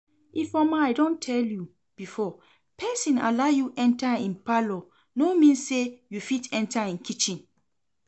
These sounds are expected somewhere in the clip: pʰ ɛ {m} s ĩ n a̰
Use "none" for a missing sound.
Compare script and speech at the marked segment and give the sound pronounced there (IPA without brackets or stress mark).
none